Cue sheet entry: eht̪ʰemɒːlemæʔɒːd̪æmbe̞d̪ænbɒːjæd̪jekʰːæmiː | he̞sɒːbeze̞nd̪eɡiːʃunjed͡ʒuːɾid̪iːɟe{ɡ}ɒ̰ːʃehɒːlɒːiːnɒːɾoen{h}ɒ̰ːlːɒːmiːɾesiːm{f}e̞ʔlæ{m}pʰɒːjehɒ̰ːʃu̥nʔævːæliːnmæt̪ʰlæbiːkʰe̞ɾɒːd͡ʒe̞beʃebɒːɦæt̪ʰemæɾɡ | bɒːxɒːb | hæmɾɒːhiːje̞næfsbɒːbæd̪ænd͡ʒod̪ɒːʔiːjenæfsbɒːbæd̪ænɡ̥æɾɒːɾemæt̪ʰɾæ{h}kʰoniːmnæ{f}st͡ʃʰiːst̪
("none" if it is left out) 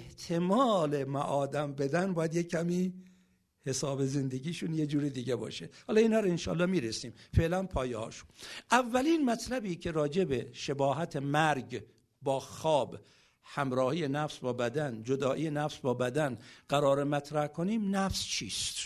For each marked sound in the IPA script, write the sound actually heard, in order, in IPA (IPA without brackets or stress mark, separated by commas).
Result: b, ʃ, f, n, h, f